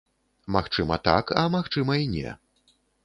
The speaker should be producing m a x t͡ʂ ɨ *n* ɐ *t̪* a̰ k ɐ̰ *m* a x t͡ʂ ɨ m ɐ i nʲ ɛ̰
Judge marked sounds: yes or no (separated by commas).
no, yes, yes